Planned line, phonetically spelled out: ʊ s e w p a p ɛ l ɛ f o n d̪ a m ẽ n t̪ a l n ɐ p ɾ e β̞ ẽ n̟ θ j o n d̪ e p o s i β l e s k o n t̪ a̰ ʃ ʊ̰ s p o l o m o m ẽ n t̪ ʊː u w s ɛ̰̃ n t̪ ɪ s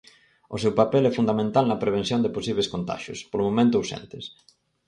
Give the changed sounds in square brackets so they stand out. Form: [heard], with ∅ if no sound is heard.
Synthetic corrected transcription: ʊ s e w p a p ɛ l ɛ f [u] n d̪ a m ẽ n t̪ a l n ɐ p ɾ e β̞ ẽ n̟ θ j o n d̪ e p o s i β l e s k o n t̪ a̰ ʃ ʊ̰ s p o l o m o m ẽ n t̪ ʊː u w s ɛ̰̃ n t̪ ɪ s